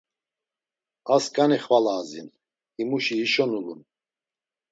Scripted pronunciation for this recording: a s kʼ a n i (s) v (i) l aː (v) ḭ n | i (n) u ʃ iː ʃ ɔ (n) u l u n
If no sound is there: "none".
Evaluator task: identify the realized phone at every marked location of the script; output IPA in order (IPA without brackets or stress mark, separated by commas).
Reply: χ, a, z, m, n